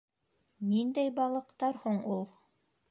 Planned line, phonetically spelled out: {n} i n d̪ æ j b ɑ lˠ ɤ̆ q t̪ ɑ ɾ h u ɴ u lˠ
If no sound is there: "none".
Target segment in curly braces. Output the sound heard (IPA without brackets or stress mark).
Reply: n